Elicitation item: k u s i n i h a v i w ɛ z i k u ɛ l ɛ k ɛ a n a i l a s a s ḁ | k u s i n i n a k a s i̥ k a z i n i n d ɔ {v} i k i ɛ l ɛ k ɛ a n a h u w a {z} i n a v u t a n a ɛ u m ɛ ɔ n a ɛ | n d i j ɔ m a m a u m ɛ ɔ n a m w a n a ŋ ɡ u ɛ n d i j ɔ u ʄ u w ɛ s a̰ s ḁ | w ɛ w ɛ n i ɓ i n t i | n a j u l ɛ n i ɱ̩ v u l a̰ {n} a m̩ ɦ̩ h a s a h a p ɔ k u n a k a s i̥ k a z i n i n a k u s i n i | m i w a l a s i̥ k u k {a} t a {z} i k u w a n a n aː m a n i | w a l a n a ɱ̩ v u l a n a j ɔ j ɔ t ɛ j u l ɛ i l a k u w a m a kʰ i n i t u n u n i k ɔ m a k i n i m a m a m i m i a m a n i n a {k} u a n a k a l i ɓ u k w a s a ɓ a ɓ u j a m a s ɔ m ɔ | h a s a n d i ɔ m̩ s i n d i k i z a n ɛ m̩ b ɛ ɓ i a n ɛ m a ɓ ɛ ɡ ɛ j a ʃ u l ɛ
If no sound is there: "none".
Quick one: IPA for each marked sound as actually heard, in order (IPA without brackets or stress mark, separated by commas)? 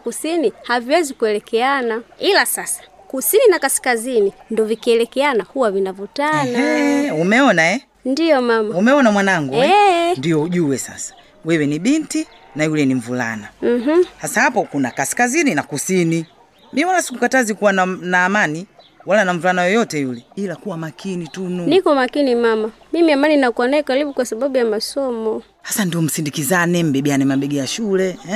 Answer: v, v, n, a, z, k